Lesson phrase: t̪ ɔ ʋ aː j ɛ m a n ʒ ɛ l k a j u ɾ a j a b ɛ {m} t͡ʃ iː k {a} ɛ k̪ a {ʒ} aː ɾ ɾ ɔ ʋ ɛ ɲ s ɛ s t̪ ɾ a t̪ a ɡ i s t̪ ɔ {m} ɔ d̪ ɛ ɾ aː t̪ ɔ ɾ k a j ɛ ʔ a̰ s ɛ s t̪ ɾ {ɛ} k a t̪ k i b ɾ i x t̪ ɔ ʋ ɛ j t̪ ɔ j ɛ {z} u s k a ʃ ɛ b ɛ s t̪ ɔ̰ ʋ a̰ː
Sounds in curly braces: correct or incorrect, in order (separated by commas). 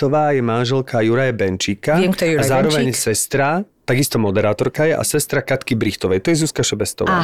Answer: incorrect, correct, incorrect, correct, incorrect, correct